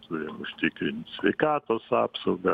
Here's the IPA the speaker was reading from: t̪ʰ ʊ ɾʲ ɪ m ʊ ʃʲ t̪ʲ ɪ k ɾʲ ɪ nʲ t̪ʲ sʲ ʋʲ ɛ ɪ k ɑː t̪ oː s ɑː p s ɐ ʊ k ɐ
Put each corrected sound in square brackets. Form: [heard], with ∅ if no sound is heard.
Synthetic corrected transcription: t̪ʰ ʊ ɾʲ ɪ m ʊ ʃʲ t̪ʲ ɪ k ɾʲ ɪ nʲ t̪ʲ sʲ ʋʲ ɛ ɪ k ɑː t̪ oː s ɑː p s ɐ ʊ [ɡ] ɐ